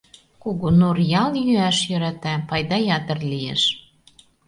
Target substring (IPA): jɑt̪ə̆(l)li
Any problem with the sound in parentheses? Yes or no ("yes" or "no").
yes